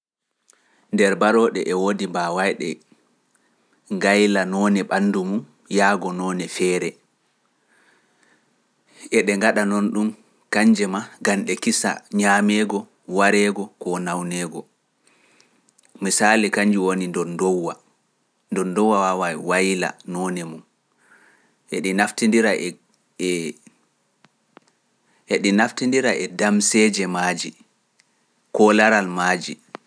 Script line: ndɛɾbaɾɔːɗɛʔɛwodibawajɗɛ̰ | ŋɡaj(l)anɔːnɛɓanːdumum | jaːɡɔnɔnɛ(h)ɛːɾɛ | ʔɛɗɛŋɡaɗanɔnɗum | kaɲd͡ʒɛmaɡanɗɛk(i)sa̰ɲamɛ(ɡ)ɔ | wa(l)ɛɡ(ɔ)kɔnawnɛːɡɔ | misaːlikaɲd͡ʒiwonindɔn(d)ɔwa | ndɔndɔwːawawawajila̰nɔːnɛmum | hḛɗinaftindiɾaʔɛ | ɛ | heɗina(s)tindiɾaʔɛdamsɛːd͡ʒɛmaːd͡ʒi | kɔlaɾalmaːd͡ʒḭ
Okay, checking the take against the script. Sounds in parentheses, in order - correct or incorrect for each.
correct, incorrect, correct, correct, incorrect, correct, correct, incorrect

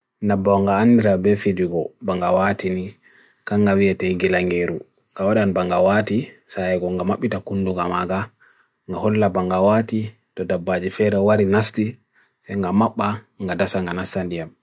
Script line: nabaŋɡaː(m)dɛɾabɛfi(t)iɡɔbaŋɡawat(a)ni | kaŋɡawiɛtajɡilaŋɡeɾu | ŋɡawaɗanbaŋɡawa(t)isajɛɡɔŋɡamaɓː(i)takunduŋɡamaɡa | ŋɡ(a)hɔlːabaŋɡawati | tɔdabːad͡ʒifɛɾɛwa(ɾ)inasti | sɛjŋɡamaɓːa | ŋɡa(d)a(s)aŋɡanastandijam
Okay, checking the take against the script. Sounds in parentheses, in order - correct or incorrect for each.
incorrect, incorrect, incorrect, correct, correct, correct, correct, correct, correct

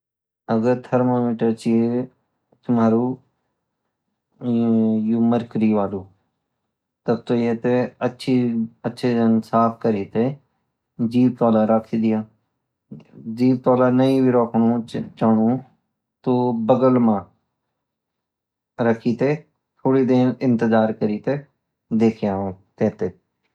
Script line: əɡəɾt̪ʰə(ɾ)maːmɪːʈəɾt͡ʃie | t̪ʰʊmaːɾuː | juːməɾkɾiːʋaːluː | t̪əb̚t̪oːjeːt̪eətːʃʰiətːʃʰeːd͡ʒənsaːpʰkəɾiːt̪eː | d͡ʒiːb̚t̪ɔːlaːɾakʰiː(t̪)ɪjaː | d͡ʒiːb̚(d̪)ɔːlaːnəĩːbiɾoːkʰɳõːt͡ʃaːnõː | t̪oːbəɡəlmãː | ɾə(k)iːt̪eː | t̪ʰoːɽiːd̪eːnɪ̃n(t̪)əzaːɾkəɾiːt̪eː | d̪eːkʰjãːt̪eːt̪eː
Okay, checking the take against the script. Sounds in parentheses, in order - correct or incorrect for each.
correct, incorrect, incorrect, incorrect, correct

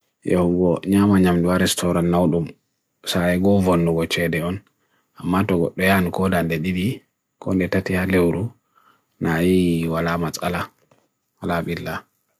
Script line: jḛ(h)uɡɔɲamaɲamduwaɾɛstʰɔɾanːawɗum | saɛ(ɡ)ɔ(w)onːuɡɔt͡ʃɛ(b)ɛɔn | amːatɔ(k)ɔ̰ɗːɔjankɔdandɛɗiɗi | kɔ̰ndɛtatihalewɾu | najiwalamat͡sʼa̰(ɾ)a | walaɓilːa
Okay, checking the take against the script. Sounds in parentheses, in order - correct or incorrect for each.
correct, correct, incorrect, incorrect, incorrect, incorrect

